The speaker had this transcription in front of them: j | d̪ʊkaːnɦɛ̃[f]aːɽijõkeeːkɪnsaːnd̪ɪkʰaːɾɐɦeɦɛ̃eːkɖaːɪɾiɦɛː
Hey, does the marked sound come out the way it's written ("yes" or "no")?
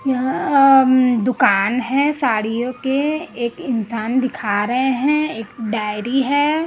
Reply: no